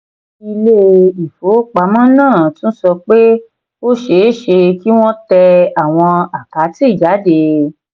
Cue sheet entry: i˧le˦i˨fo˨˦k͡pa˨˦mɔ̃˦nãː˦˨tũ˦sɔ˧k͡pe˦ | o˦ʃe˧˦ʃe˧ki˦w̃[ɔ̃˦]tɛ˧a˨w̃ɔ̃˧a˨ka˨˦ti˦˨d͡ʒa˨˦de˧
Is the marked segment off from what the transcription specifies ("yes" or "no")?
no